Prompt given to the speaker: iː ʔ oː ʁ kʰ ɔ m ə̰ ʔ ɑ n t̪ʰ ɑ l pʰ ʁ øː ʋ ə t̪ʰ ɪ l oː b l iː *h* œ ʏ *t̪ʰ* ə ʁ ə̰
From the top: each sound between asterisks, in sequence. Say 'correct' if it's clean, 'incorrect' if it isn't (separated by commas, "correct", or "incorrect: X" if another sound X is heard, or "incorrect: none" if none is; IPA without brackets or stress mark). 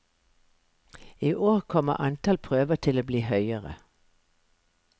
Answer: correct, incorrect: none